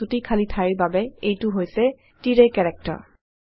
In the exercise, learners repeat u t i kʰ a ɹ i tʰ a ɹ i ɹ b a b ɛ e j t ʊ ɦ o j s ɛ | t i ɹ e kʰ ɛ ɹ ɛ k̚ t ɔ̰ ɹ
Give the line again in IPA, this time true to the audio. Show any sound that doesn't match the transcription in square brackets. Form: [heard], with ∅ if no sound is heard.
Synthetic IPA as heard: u t i kʰ a [l] i tʰ a ɹ i ɹ b a b ɛ e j t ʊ ɦ o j s ɛ | t i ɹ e [k] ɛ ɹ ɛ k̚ t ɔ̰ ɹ